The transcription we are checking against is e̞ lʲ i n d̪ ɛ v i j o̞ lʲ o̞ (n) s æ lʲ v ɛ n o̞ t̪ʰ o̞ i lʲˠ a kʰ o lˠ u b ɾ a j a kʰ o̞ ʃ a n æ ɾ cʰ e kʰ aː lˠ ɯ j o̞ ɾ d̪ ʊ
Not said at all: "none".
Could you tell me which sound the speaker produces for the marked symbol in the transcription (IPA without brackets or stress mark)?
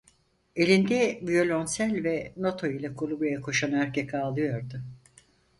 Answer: n